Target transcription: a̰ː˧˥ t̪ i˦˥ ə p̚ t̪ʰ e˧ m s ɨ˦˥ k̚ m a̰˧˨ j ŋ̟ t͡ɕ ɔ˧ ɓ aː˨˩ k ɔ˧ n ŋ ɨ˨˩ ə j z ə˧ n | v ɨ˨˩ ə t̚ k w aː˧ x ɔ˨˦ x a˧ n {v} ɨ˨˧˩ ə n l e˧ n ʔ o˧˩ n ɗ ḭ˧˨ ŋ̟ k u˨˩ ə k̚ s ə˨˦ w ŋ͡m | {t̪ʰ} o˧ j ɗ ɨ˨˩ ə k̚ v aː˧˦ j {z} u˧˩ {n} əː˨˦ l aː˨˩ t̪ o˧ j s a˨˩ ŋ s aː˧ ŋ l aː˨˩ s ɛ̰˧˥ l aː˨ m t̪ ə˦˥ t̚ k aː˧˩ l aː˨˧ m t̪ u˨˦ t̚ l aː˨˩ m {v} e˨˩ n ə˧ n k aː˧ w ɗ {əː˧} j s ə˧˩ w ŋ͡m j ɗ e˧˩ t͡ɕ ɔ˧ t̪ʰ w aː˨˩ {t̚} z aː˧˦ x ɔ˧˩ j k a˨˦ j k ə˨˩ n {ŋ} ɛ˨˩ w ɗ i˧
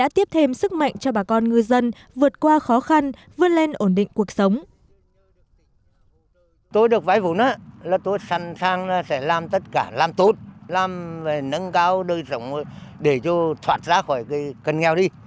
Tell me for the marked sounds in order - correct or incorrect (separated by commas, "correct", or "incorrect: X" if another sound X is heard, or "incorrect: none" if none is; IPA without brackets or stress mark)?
correct, incorrect: t̪, incorrect: v, correct, correct, correct, correct, correct